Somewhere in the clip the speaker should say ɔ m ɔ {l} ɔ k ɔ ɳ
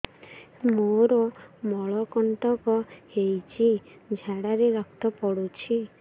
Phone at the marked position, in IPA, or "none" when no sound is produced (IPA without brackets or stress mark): ɭ